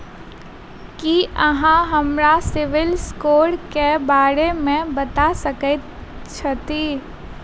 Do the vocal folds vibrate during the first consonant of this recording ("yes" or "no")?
no